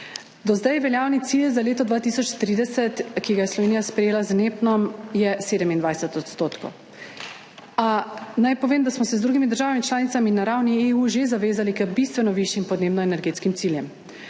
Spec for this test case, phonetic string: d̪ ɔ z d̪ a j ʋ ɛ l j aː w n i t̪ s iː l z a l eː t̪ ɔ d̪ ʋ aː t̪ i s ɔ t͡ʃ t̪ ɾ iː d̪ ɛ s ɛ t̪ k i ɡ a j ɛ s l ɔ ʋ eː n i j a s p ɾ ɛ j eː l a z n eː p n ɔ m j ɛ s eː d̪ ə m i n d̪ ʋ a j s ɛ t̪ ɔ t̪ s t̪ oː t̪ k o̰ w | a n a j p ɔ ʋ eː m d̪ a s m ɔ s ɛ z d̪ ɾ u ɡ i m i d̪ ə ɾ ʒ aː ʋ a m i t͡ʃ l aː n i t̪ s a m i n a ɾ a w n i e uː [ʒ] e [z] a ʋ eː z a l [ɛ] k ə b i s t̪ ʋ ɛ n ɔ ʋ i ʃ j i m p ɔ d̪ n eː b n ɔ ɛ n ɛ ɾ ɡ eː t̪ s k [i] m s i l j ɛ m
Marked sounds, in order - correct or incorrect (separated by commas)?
correct, correct, incorrect, correct